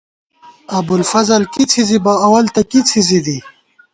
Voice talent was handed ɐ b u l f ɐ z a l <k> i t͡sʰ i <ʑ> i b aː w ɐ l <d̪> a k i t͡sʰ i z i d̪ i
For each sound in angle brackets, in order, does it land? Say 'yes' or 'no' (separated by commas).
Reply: yes, no, no